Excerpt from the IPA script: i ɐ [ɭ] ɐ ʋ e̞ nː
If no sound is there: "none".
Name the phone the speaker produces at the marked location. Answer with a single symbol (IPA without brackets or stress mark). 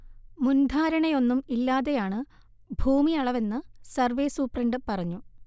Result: ɭ